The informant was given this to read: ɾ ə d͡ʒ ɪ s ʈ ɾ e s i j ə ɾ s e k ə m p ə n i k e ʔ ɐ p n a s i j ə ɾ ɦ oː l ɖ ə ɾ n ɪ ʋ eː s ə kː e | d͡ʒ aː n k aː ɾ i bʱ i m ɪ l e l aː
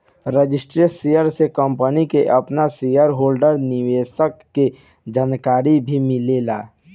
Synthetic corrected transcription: ɾ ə d͡ʒ ɪ s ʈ ɾ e s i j ə ɾ s e k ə m p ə n i k e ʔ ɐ p n a s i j ə ɾ ɦ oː l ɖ ə ɾ n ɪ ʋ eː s ə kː e | d͡ʒ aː n k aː ɾ i bʱ i m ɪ l e l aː

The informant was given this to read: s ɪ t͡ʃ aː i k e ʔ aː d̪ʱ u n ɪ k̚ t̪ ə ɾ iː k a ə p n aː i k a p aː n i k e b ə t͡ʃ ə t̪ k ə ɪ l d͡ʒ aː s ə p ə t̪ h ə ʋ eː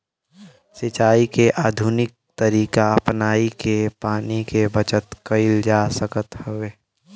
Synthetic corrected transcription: s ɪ t͡ʃ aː i k e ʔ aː d̪ʱ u n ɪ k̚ t̪ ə ɾ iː k a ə p n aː i k e p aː n i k e b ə t͡ʃ ə t̪ k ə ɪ l d͡ʒ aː s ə k ə t̪ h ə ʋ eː

